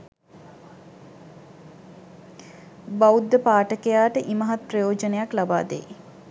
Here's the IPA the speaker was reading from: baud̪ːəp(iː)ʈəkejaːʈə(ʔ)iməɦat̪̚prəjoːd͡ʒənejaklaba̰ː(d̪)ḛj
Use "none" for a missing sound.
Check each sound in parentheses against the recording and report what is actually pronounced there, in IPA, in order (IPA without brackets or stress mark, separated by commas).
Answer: aː, ʔ, d̪